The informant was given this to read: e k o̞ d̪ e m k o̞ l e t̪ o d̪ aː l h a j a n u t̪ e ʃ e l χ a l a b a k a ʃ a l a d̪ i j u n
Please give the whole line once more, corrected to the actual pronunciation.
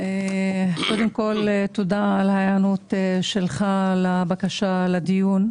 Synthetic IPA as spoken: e k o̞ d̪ e m k o̞ l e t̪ o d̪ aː l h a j a n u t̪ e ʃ e l χ a l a b a k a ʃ a l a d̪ i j u n